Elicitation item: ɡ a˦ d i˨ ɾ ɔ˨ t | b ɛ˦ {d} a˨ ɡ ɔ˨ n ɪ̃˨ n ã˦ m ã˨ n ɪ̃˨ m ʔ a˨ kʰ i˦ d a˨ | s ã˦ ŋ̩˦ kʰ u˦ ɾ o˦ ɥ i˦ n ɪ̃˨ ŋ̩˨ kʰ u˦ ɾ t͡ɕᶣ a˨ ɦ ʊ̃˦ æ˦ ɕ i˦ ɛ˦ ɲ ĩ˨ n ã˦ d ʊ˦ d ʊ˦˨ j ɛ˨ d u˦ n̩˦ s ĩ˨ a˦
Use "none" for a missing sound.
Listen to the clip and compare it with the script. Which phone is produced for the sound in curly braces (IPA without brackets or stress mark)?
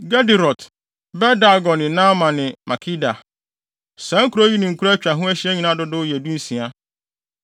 d